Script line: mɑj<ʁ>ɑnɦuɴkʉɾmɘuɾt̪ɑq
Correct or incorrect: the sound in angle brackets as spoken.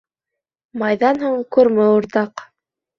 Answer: incorrect: ð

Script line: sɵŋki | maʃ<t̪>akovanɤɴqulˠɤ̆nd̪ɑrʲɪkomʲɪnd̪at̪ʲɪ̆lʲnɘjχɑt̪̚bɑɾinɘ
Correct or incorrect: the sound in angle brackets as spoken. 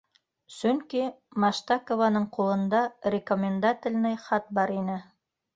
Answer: correct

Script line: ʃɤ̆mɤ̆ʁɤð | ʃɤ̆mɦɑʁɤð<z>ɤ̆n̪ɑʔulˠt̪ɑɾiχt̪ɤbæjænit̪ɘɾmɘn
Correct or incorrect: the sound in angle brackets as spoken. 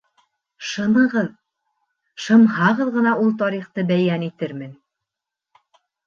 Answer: incorrect: ʁ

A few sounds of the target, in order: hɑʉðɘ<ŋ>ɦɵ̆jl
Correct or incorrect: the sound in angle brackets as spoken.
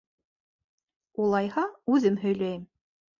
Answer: incorrect: m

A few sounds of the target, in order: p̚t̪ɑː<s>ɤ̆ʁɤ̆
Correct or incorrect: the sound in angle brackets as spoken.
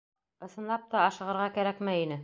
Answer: incorrect: ʃ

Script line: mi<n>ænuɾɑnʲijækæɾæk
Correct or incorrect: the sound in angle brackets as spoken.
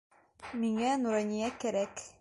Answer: incorrect: ŋ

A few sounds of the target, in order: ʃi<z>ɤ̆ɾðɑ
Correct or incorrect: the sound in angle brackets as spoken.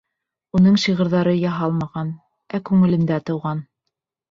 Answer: incorrect: ʁ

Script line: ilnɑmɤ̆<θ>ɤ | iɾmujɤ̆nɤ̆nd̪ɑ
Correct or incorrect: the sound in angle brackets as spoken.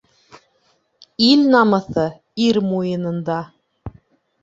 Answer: correct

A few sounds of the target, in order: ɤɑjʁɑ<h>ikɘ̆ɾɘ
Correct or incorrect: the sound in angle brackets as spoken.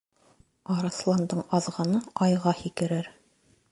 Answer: correct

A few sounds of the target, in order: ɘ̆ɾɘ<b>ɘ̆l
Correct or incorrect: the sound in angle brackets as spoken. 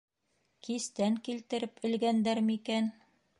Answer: incorrect: p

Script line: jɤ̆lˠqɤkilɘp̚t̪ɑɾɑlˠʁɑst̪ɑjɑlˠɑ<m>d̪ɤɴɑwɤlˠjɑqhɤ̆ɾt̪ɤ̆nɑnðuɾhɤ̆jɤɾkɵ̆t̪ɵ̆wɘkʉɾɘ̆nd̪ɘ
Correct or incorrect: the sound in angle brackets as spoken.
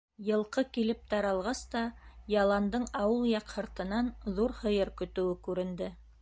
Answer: incorrect: n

